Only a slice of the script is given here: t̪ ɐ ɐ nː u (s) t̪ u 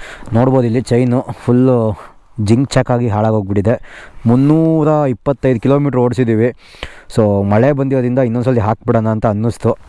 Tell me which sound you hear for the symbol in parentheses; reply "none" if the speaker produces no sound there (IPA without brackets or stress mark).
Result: s